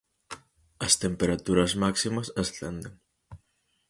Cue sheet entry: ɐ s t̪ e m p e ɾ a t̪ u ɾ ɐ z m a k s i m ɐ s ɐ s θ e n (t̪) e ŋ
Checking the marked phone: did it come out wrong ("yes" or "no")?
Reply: yes